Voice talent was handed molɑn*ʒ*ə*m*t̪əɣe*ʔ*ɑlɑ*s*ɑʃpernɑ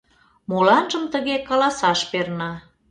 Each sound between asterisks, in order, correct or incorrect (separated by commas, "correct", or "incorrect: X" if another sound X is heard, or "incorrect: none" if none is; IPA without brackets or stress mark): correct, correct, incorrect: k, correct